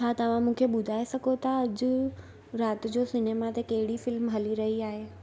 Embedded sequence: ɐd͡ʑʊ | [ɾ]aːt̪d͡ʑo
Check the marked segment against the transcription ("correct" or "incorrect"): correct